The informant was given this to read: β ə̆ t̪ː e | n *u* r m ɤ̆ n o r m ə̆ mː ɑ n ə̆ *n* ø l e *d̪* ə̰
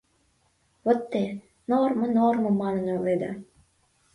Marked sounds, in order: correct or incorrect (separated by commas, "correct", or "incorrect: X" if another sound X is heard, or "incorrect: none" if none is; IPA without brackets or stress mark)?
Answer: incorrect: o, correct, correct